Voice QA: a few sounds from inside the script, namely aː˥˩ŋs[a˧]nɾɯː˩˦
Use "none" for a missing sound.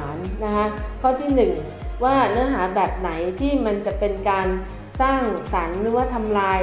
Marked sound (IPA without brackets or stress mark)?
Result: a˩˦